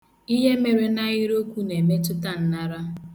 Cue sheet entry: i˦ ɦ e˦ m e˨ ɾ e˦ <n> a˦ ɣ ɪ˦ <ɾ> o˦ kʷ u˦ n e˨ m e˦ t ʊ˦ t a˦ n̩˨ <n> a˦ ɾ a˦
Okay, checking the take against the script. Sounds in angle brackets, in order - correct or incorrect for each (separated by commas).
correct, correct, correct